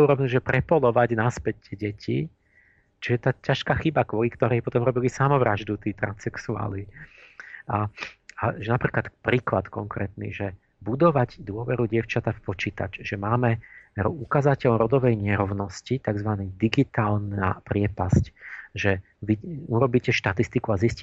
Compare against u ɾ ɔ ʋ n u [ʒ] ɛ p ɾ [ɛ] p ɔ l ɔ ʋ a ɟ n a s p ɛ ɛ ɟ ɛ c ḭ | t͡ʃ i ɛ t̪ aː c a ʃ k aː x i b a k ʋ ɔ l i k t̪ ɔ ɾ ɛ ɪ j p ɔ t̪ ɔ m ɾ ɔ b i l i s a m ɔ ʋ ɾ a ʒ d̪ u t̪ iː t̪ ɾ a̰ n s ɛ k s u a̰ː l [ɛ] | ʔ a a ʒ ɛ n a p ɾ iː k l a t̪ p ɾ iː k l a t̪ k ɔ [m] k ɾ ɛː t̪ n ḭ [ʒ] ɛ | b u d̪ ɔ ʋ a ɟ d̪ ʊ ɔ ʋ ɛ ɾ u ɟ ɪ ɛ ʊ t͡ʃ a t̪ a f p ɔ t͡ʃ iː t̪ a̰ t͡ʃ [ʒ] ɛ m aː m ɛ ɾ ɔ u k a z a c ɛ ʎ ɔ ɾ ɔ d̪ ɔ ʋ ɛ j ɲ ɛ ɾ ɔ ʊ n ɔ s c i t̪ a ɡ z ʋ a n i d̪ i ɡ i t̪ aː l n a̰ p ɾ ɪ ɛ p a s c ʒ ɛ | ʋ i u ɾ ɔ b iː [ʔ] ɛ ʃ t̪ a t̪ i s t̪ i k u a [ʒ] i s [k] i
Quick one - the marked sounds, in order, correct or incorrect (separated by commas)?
correct, correct, incorrect, incorrect, correct, correct, incorrect, incorrect, incorrect